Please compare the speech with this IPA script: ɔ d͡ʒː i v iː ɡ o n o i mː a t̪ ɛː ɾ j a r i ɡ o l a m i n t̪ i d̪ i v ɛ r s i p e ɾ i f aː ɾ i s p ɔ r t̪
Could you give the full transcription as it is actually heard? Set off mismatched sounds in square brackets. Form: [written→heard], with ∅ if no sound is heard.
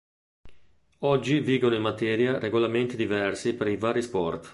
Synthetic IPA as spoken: ɔ d͡ʒː i v iː ɡ o n o i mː a t̪ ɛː ɾ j a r [i→e] ɡ o l a m [i→e] n t̪ i d̪ i v ɛ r s i p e ɾ i [f→v] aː ɾ i s p ɔ r t̪